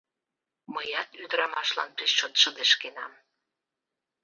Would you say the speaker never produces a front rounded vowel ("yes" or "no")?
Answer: no